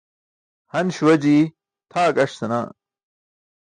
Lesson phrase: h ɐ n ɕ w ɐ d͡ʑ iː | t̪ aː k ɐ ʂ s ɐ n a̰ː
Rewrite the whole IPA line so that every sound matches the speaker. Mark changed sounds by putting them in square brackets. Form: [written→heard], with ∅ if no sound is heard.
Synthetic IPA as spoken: h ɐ n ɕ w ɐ d͡ʑ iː | [t̪→t̪ʰ] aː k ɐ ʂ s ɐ n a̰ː